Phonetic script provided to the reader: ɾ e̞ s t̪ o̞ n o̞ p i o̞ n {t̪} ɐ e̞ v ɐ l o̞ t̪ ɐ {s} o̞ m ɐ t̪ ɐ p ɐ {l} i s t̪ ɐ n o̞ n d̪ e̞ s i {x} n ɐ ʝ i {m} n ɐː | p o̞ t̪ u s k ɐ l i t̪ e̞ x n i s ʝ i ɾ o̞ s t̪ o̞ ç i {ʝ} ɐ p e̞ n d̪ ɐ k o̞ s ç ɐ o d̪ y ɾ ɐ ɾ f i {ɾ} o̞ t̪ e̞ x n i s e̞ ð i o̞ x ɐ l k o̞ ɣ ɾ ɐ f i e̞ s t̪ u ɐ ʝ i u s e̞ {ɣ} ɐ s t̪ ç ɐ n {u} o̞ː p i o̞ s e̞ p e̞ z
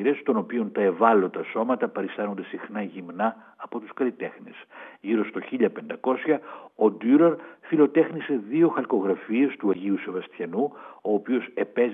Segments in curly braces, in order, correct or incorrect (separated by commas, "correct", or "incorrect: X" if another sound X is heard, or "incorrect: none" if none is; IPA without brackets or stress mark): correct, correct, incorrect: ɾ, correct, correct, incorrect: ʎ, incorrect: l, incorrect: v, correct